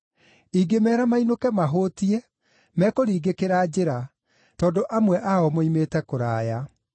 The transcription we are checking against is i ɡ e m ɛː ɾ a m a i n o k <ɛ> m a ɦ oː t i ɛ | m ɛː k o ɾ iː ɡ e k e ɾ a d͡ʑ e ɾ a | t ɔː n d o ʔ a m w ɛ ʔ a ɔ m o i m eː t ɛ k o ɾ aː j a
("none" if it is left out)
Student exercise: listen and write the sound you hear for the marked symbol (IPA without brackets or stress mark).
ɛ